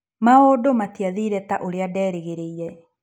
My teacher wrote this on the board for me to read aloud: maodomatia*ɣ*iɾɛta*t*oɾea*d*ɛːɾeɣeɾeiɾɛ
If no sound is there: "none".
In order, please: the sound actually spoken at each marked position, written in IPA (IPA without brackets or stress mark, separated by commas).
ð, ʔ, d